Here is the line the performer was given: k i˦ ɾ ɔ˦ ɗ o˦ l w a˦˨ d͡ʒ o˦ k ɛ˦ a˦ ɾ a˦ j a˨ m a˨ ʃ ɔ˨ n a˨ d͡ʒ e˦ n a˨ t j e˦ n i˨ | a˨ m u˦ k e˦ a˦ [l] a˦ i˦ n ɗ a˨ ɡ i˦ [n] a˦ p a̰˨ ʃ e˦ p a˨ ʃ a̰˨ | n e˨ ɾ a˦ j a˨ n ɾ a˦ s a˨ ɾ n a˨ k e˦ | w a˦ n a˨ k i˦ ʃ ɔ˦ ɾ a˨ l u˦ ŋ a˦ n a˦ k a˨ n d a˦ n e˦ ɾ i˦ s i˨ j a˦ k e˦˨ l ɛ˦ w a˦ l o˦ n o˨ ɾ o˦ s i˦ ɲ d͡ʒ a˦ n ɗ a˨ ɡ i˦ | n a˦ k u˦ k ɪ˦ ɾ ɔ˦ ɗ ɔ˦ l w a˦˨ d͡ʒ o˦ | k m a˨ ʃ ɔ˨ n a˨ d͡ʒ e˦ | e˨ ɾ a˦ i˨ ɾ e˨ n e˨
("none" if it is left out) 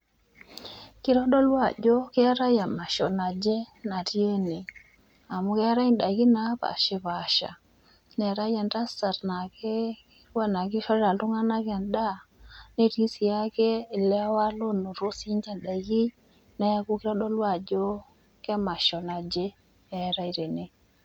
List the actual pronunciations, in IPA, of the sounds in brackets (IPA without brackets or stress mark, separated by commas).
ɾ, n